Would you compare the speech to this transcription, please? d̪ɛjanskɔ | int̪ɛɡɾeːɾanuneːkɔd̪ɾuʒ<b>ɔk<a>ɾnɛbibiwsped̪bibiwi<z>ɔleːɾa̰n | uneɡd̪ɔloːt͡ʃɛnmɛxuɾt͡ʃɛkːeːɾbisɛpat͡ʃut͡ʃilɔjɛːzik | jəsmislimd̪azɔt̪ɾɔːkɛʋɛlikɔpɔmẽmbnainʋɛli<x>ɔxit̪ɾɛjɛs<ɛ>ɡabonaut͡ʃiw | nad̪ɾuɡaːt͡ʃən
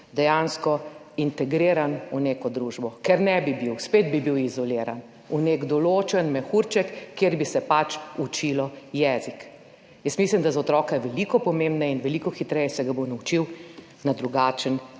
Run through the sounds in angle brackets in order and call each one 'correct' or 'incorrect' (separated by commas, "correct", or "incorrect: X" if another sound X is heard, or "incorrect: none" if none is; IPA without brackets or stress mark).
correct, incorrect: ɛ, correct, incorrect: k, correct